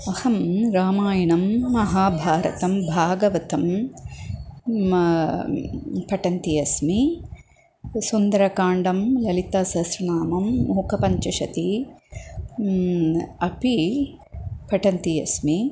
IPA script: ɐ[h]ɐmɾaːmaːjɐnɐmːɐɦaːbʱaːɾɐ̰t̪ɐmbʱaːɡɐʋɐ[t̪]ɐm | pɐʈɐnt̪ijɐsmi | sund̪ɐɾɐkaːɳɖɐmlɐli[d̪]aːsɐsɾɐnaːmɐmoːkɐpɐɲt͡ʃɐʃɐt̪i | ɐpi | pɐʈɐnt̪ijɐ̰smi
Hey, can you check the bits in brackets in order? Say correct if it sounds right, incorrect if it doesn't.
correct, correct, incorrect

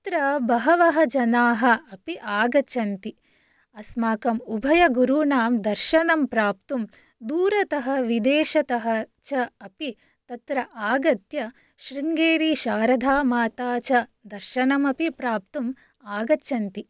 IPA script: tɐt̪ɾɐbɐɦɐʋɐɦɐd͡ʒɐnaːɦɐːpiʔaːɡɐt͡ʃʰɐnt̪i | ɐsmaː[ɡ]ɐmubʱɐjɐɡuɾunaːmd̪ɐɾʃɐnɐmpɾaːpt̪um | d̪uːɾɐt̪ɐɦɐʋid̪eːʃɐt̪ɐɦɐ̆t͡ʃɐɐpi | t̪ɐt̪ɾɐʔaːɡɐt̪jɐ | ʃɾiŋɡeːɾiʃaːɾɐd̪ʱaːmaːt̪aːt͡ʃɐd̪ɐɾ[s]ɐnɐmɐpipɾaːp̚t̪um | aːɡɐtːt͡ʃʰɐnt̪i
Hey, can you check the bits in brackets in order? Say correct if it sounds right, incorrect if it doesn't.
incorrect, incorrect

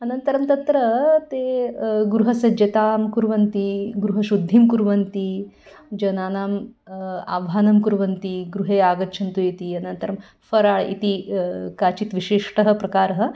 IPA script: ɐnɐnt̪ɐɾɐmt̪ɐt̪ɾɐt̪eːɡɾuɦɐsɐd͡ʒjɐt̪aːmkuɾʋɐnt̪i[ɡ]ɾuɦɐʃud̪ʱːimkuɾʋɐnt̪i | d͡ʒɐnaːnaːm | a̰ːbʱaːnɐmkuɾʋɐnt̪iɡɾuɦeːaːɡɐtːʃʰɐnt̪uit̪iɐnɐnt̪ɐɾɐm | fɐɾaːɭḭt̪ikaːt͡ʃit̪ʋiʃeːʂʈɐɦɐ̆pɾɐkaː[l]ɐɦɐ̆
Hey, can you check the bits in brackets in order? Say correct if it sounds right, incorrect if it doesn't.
correct, incorrect

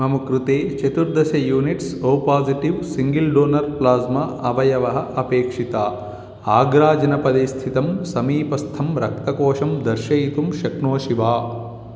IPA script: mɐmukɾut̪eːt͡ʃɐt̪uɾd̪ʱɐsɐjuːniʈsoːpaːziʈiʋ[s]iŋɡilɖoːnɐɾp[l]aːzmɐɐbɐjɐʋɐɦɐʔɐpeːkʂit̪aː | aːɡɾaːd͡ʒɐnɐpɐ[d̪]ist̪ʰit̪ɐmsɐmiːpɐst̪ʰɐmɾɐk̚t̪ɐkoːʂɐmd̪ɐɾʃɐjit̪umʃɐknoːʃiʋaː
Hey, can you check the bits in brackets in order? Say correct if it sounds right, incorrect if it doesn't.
correct, correct, correct

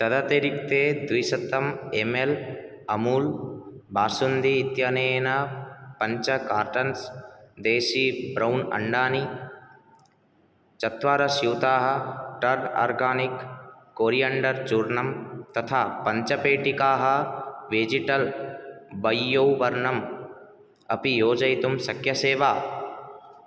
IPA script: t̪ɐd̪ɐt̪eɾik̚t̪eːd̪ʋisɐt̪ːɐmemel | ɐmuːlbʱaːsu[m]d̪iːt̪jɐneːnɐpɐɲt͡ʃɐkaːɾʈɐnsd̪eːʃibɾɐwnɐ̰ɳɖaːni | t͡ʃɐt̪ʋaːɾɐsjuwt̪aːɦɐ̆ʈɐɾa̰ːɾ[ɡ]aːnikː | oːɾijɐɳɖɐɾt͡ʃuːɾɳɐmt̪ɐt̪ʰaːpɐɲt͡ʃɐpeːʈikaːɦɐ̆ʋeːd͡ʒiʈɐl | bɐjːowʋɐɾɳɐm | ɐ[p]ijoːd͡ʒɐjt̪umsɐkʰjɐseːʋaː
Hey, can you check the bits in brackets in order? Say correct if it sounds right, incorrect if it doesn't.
incorrect, correct, correct

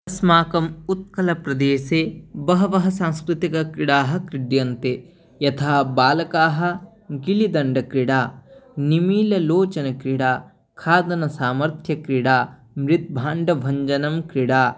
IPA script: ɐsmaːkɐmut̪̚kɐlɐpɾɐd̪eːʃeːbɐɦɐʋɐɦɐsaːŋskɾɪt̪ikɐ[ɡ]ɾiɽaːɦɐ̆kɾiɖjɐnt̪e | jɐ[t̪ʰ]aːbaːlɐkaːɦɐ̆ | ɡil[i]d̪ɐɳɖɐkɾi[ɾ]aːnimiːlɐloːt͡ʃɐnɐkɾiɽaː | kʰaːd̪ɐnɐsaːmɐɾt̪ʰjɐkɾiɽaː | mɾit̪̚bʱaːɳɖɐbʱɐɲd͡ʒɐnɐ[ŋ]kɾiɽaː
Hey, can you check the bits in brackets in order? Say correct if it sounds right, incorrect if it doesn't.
incorrect, correct, correct, incorrect, incorrect

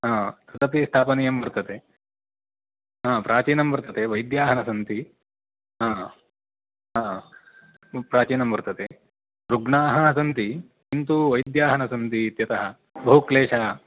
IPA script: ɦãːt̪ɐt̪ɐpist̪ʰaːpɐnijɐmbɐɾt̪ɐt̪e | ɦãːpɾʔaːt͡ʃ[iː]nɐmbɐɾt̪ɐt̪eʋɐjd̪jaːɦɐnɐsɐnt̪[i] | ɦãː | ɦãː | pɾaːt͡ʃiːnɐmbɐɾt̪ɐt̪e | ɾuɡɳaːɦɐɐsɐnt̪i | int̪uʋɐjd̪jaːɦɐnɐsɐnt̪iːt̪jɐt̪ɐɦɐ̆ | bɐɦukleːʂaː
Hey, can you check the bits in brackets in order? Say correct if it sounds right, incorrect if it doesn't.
correct, correct

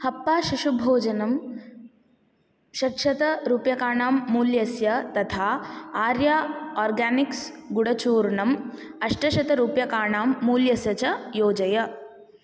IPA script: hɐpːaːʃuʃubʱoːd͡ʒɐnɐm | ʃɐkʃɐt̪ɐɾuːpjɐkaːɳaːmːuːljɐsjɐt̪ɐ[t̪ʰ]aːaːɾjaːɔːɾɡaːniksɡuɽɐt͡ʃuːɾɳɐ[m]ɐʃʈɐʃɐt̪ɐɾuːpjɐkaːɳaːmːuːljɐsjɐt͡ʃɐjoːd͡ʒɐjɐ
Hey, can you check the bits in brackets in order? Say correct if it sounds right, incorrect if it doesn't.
correct, correct

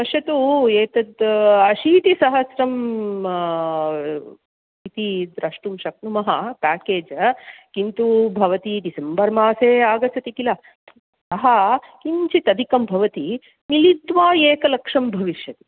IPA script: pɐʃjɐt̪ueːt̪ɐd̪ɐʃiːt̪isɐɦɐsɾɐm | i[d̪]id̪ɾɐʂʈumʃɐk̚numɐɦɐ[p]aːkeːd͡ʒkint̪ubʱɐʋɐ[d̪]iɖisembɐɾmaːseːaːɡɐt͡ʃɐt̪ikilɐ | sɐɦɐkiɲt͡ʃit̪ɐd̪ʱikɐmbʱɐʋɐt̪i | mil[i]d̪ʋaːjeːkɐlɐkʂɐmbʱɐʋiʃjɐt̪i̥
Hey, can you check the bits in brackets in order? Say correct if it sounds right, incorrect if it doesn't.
incorrect, correct, incorrect, correct

